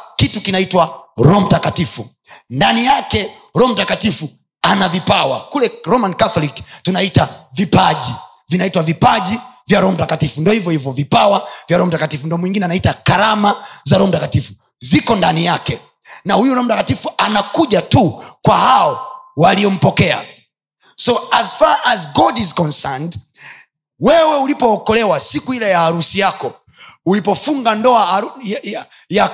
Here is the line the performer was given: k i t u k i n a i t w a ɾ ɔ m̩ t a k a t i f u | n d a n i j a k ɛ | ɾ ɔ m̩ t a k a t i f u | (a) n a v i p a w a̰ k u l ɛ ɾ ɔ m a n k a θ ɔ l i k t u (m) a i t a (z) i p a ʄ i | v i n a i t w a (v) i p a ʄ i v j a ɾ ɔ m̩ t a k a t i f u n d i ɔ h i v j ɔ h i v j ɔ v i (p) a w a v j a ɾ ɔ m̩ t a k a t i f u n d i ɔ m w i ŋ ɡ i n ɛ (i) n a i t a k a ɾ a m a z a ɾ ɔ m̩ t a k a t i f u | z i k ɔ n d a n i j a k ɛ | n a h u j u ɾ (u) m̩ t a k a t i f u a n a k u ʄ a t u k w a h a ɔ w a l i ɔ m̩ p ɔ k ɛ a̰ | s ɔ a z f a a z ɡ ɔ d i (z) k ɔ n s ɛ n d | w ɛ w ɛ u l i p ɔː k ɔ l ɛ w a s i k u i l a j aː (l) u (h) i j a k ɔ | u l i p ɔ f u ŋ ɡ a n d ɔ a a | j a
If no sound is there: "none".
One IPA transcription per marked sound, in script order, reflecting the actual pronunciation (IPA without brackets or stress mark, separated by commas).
a, n, v, v, p, a, ɔ, z, ɾ, s